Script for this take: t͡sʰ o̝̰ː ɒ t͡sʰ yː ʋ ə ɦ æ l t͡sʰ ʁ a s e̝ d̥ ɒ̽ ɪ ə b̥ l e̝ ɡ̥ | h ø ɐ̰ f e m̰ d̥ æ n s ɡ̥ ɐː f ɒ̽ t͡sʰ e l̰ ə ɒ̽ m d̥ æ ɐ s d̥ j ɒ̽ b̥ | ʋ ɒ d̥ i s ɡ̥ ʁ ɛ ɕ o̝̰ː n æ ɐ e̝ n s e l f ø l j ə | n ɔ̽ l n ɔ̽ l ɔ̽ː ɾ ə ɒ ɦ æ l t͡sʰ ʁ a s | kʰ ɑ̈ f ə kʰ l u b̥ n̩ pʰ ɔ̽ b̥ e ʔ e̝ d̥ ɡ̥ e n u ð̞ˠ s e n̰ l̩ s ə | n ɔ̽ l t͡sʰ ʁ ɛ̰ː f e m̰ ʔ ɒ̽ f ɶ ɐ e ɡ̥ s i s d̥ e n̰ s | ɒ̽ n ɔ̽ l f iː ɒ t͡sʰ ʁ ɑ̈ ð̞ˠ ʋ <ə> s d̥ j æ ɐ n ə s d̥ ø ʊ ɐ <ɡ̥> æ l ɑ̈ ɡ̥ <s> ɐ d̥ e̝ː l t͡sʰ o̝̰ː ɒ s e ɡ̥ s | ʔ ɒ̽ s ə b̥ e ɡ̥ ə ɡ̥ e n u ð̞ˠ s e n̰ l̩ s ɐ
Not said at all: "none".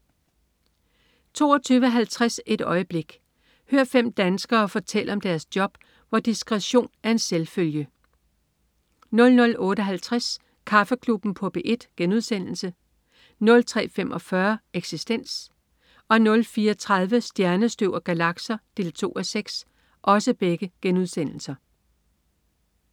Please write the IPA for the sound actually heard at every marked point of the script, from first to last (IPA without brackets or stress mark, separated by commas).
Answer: ə, ɡ̥, s